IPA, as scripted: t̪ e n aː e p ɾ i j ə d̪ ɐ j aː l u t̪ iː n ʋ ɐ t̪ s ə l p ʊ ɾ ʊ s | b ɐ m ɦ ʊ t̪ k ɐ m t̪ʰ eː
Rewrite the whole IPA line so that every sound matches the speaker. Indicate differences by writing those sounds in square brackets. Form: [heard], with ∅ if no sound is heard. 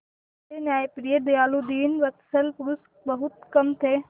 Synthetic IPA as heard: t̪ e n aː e p ɾ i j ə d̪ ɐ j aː l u [d̪] iː n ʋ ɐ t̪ s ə l p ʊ ɾ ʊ s | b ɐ [∅] ɦ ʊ t̪ k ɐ m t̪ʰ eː

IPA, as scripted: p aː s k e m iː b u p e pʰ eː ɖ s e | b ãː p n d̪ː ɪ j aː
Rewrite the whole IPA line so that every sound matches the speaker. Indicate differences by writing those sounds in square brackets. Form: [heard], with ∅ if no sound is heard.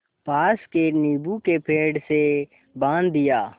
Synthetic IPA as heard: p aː s k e [n] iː b u [k] e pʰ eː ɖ s e | b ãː [∅] n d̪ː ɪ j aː

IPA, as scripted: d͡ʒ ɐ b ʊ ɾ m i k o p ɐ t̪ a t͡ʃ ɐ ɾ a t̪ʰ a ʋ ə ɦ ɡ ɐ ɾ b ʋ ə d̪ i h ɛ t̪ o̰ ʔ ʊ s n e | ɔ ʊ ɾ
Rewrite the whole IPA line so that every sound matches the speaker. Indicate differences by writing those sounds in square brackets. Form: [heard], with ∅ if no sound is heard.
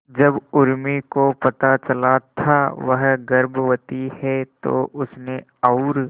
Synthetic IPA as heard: d͡ʒ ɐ b ʊ ɾ m i k o p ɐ t̪ a t͡ʃ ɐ [l] a t̪ʰ a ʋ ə ɦ ɡ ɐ ɾ b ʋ ə [t̪] i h ɛ t̪ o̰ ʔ ʊ s n e | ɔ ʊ ɾ

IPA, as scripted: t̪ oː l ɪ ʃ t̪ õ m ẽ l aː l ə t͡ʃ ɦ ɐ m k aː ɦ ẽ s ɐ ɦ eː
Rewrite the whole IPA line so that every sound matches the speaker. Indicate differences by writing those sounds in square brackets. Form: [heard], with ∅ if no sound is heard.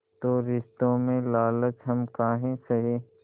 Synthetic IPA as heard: t̪ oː [ɾ] ɪ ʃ t̪ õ m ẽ l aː l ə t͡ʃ ɦ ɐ m k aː ɦ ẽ s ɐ ɦ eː

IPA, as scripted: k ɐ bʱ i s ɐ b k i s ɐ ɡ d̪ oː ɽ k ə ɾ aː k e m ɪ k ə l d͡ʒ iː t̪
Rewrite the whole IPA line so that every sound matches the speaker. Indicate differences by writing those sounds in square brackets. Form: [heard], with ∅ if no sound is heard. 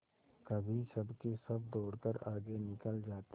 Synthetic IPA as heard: k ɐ bʱ i s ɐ b k [e] s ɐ [b] d̪ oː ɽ k ə ɾ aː [ɡ] e [n] ɪ k ə l d͡ʒ [aː] t̪

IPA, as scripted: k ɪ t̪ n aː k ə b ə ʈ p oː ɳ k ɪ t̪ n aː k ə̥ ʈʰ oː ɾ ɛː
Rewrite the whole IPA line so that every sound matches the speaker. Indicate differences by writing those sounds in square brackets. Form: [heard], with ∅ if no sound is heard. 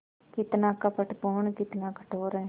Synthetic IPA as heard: k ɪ t̪ n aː k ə [p] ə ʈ p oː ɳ k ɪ t̪ n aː k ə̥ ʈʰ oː ɾ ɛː

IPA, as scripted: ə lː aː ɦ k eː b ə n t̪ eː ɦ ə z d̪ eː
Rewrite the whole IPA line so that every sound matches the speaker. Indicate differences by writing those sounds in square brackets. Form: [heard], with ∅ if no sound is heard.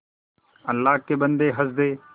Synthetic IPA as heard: ə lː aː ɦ k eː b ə n [d̪] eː ɦ ə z d̪ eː

